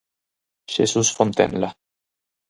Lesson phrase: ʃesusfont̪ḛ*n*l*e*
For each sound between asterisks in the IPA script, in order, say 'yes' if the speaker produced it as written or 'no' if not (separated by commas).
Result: yes, no